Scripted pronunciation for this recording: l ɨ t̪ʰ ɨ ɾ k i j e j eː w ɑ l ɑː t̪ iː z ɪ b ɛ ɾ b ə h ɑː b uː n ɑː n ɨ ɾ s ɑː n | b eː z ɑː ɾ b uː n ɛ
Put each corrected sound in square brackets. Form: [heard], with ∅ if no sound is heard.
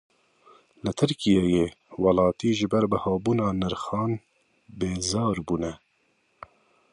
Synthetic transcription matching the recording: l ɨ t̪ʰ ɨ ɾ k i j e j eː w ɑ l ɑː t̪ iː [ʒ] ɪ b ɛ ɾ b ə h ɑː b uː n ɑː n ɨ ɾ [x] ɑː n | b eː z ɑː ɾ b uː n ɛ